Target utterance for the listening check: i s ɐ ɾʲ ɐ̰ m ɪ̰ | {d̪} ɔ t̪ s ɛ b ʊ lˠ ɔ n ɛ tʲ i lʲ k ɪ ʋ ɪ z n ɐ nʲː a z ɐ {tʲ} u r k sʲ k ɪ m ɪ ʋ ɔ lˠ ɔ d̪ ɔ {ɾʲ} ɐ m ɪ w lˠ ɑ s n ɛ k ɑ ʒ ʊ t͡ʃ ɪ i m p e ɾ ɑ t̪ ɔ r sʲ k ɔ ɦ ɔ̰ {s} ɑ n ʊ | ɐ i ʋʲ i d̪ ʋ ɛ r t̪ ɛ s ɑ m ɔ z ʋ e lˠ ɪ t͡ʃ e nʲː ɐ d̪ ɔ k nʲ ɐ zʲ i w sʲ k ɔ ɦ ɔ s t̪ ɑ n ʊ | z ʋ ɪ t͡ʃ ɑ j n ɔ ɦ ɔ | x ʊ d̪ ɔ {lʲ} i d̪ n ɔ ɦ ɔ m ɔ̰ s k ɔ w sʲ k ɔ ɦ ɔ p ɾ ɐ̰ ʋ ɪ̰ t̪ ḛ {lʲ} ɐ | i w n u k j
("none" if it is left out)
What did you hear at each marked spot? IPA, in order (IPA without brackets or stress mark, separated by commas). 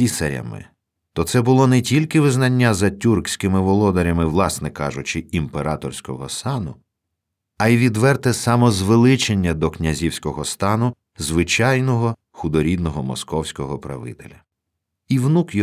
t̪, tʲ, ɾʲ, s, ɾʲ, lʲ